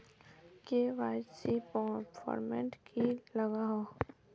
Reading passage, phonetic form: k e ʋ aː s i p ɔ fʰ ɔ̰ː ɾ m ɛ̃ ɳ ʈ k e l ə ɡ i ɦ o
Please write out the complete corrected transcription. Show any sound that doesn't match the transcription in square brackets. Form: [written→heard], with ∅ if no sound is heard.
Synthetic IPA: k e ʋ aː s i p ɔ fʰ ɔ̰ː ɾ m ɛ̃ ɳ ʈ k [e→i] l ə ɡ [i→a] ɦ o